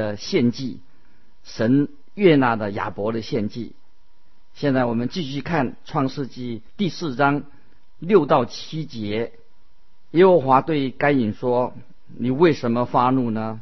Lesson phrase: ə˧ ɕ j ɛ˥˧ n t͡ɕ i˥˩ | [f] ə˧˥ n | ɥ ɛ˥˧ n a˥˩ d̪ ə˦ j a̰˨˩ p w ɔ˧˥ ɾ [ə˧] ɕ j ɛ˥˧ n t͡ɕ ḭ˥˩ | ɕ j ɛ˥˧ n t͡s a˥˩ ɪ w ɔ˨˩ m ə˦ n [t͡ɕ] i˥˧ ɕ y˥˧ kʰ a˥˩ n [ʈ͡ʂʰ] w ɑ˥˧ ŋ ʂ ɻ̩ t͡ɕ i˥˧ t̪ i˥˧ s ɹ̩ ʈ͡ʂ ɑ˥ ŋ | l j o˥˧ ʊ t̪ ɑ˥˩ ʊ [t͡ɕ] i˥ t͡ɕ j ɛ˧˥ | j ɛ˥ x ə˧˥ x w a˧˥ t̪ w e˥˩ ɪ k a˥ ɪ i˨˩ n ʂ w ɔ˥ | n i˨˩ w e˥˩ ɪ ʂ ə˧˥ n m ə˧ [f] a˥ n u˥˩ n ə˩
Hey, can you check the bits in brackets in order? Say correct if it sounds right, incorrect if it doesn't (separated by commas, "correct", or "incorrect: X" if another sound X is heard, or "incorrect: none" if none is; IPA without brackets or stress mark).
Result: incorrect: ʂ, correct, correct, correct, incorrect: t͡ɕʰ, correct